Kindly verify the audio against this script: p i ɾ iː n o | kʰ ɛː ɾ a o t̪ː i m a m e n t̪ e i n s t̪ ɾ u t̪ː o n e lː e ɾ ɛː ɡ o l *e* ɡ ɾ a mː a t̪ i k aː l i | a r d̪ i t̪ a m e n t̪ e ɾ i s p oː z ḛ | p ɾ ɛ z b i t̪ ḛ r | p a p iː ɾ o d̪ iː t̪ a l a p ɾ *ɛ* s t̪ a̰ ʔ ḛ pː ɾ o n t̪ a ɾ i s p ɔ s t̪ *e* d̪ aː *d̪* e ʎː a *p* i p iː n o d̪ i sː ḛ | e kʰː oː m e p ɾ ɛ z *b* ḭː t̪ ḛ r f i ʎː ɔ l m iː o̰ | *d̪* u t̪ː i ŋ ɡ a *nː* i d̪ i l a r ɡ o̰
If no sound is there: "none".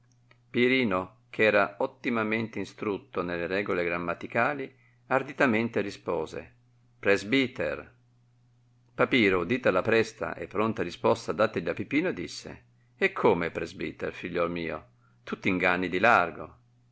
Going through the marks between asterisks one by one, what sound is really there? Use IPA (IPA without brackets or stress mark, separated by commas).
e, ɛ, a, t̪, p, b, t̪, nː